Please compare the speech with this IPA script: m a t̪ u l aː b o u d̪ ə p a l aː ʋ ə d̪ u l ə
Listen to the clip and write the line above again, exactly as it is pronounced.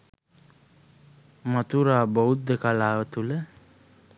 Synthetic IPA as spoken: m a t̪ u ɾ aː b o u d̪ ə k a l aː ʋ ə t̪ u l ə